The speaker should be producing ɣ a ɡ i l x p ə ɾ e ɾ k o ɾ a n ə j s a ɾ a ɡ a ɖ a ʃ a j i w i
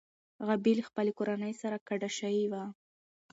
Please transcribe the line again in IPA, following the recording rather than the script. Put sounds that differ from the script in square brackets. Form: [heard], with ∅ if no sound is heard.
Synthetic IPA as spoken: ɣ a [b] i l x p ə [l] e [∅] k o ɾ a n ə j s a ɾ a [k] a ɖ a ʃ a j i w [a]